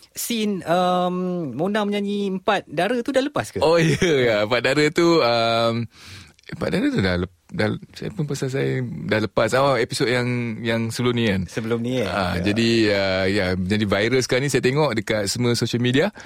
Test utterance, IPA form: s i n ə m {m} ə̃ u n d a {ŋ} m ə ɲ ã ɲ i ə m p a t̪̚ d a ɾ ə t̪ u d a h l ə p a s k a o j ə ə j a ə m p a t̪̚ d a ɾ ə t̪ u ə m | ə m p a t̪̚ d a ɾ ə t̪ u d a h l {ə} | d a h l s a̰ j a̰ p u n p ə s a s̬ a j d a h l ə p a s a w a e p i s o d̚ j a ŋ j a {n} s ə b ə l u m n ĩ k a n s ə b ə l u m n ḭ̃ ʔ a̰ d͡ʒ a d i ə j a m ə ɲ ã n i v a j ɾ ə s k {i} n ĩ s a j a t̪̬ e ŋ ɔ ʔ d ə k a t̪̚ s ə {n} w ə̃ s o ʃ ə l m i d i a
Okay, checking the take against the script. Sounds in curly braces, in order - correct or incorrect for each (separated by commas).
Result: correct, correct, correct, incorrect, incorrect, incorrect